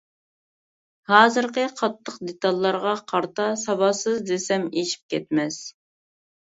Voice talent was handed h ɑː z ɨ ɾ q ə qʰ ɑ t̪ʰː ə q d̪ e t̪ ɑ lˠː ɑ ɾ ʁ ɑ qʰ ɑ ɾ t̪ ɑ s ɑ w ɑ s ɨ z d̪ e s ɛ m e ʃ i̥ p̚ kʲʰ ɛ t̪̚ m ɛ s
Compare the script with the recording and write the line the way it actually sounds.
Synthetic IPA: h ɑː z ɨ ɾ q ə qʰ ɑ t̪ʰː ə q d̪ e t̪ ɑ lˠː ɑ ɾ ʁ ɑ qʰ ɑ ɾ t̪ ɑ s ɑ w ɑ s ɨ z d̪ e s ɛ m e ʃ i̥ p̚ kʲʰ ɛ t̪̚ m ɛ s